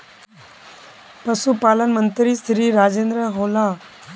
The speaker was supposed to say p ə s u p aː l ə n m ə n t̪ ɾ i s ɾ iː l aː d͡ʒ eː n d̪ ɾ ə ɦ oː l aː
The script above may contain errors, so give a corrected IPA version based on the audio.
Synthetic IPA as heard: p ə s u p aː l ə n m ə n t̪ ɾ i s ɾ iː ɾ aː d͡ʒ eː n d̪ ɾ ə ɦ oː l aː